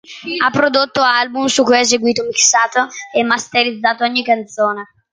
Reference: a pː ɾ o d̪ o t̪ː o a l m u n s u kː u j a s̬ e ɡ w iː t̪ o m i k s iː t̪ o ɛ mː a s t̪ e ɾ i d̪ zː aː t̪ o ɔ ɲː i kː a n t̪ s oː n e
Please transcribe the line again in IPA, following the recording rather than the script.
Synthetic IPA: a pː ɾ o d̪ o t̪ː o a l b u m s u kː u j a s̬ e ɡ w iː t̪ o m i k s aː t̪ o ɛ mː a s t̪ e ɾ i d̪ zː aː t̪ o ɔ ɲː i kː a n t̪ s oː n e